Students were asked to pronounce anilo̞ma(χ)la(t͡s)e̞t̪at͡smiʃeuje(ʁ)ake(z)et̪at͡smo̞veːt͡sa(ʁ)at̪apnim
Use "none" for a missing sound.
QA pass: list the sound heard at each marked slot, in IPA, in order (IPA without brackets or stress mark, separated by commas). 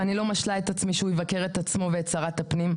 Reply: ʃ, none, v, ʁ, ʁ